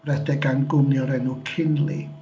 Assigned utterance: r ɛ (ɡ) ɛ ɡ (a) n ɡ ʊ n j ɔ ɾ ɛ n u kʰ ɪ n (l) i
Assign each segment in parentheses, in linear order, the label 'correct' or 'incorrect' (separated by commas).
incorrect, correct, correct